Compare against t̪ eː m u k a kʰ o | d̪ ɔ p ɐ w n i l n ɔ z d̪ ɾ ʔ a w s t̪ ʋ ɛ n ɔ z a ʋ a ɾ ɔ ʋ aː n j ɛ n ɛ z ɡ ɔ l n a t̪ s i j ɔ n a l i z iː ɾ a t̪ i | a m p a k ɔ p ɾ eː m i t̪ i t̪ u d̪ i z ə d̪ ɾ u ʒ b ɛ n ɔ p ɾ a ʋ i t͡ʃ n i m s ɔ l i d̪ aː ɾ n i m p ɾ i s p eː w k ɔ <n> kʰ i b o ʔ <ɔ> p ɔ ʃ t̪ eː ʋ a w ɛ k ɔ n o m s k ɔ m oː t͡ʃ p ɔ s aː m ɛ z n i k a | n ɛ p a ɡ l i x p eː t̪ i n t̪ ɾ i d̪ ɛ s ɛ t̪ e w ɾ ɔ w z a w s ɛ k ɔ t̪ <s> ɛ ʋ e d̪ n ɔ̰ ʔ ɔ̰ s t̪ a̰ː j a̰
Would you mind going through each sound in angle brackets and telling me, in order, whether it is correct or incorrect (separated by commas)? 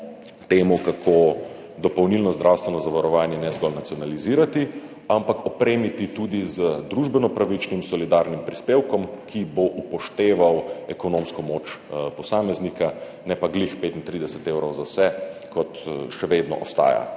incorrect, incorrect, incorrect